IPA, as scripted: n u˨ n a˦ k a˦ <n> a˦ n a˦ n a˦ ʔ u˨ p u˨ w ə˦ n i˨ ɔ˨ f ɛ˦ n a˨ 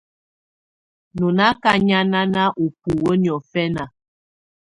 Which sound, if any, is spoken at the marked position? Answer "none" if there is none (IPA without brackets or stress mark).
ɲ